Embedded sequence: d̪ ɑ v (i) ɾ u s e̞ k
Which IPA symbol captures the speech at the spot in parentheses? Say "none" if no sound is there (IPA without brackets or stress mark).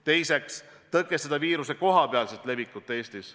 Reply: iː